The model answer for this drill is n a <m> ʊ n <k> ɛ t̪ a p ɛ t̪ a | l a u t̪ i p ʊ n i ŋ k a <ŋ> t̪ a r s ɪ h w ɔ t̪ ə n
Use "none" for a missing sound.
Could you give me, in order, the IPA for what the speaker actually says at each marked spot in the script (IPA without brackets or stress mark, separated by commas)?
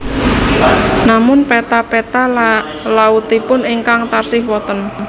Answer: m, p, ŋ